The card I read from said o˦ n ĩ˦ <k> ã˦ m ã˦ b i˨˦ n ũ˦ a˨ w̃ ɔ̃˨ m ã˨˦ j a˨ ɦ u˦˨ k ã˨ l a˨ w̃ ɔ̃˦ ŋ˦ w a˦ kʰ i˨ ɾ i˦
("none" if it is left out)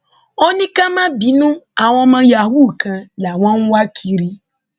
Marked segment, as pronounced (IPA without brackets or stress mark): k